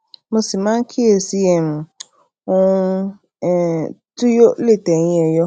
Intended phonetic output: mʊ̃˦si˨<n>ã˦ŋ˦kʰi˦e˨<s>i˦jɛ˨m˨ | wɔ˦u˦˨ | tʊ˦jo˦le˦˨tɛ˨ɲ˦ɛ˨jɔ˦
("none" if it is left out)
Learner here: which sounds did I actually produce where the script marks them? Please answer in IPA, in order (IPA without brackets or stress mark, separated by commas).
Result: m, s